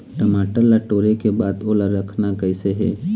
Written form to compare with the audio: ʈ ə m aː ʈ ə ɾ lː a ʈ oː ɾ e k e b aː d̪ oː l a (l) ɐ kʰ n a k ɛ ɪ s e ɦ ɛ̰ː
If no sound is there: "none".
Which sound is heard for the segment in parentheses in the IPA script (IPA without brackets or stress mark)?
ɾ